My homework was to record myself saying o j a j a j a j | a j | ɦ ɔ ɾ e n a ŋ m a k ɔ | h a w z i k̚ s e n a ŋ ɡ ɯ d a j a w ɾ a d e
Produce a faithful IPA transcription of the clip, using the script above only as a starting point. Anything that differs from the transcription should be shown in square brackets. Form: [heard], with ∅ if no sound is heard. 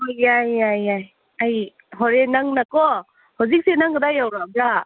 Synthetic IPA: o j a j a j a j | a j | ɦ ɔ ɾ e n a ŋ [n] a k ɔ | h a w z i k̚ s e n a ŋ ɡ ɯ d a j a w ɾ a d [a]